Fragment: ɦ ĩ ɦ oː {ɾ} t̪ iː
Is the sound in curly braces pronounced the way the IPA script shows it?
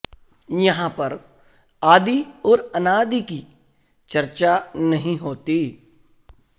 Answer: no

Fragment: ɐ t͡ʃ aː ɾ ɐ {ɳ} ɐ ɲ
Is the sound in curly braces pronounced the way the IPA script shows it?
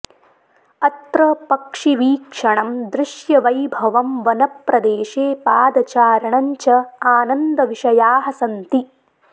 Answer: yes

